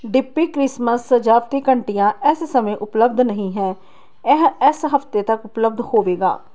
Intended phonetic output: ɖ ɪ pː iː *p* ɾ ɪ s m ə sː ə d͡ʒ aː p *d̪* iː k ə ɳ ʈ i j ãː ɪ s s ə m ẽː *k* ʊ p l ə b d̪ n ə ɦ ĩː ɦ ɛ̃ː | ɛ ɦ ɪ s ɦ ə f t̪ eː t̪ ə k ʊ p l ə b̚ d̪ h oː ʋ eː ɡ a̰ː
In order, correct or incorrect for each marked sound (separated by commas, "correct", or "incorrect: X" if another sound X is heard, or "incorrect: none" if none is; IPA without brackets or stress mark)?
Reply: incorrect: k, incorrect: t̪, incorrect: ʔ